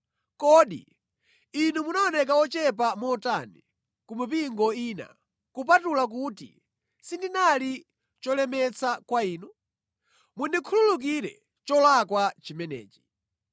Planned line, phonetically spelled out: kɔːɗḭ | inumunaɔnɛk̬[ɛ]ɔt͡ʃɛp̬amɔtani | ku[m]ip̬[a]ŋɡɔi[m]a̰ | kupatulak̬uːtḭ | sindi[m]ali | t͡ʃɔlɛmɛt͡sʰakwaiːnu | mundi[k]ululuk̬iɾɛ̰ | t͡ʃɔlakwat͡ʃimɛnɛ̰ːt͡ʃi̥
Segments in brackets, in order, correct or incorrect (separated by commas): incorrect, correct, incorrect, incorrect, incorrect, incorrect